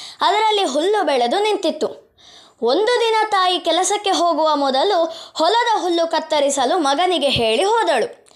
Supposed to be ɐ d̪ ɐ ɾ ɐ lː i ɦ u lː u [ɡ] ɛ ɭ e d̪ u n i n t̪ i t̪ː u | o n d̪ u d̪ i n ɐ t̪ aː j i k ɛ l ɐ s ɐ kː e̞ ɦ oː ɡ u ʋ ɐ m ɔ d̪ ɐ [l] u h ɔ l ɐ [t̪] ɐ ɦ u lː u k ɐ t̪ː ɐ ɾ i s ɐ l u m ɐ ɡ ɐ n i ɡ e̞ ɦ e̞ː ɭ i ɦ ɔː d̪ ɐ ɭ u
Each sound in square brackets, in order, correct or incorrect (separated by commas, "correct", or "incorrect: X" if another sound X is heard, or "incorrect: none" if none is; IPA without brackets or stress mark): incorrect: b, correct, incorrect: d̪